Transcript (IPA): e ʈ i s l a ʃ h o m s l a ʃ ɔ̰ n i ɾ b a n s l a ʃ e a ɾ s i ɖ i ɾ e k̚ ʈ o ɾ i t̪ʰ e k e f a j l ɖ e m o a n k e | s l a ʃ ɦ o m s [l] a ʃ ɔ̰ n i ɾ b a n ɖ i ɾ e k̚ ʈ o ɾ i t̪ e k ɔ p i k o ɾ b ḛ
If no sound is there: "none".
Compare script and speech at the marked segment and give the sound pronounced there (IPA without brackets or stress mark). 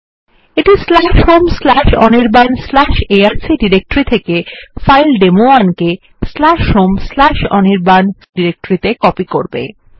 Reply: l